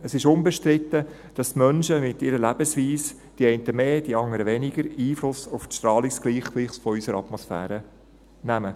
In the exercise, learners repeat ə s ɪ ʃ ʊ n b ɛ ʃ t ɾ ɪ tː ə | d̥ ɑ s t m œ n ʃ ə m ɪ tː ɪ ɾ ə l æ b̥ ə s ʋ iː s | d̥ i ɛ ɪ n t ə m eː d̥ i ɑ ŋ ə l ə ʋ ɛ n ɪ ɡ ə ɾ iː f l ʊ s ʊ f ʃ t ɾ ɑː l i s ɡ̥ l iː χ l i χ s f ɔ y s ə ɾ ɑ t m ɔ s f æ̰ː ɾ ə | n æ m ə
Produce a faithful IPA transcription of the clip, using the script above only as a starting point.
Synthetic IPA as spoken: ə s ɪ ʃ ʊ n b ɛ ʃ t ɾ ɪ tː ə | d̥ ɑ s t m œ n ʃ ə m ɪ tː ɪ ɾ ə l æ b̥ ə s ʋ iː s | d̥ i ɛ ɪ n t ə m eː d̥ i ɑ ŋ ə ɾ ə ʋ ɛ n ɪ ɡ ə ɾ iː f l ʊ s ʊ f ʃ t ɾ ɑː l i s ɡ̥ l iː χ l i χ s f ɔ y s ə ɾ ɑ t m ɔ s f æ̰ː ɾ ə | n æ m ə